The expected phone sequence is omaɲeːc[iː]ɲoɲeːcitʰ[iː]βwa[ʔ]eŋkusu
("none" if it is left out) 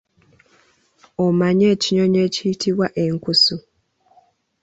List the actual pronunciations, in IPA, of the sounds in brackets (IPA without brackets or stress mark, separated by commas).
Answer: i, i, ʔ